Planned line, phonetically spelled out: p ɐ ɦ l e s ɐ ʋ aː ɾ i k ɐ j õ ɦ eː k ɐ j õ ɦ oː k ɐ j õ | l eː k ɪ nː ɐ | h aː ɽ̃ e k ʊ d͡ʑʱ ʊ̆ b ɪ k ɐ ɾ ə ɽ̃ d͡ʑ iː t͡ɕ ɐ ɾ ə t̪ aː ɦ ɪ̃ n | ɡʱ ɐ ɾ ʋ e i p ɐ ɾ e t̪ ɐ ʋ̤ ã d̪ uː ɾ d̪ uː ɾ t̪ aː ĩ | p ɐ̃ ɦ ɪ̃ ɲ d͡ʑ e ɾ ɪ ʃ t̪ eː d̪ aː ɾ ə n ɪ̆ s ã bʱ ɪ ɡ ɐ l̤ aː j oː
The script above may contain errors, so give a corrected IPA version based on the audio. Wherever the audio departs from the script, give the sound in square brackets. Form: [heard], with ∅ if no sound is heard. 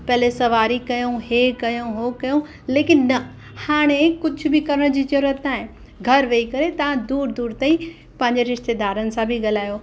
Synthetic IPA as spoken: p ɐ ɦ l e s ɐ ʋ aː ɾ i k ɐ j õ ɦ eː k ɐ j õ ɦ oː k ɐ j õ | l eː k ɪ nː ɐ | h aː ɽ̃ e k ʊ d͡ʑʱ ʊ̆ b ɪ k ɐ ɾ ə ɽ̃ d͡ʑ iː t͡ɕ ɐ ɾ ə t̪ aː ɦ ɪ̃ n | ɡʱ ɐ ɾ ʋ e i [k] ɐ ɾ e t̪ ɐ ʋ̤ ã d̪ uː ɾ d̪ uː ɾ t̪ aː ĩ | p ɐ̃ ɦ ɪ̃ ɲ d͡ʑ e ɾ ɪ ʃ t̪ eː d̪ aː ɾ ə n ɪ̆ s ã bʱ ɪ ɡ ɐ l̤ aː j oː